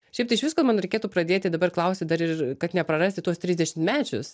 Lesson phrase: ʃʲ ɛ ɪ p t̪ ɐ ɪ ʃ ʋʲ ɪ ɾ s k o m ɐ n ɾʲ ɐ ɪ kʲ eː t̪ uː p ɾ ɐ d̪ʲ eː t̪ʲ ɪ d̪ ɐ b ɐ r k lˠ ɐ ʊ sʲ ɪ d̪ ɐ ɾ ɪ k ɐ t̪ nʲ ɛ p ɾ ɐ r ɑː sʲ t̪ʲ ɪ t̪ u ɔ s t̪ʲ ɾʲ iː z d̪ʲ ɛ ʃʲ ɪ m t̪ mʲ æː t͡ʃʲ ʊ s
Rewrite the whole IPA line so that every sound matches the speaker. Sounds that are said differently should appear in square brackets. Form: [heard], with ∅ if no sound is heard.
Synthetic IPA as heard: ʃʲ ɛ ɪ p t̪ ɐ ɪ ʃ ʋʲ ɪ [∅] s k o m ɐ n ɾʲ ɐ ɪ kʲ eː t̪ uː p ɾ ɐ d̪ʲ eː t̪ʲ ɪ d̪ ɐ b ɐ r k lˠ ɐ ʊ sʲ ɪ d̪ ɐ ɾ ɪ k ɐ t̪ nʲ ɛ p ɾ ɐ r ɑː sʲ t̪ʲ ɪ t̪ u ɔ s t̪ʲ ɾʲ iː z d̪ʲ ɛ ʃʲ ɪ m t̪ mʲ æː t͡ʃʲ ʊ s